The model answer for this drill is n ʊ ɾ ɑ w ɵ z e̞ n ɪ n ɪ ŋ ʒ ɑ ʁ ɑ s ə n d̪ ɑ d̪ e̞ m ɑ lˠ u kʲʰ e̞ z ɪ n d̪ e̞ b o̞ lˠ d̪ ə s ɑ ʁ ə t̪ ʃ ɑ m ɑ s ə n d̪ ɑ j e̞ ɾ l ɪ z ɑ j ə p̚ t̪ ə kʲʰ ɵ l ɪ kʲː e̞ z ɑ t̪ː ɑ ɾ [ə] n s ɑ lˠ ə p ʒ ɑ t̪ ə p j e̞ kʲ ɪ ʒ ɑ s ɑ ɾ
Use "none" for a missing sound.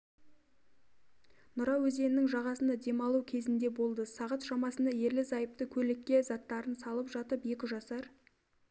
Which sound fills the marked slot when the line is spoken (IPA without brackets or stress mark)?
ə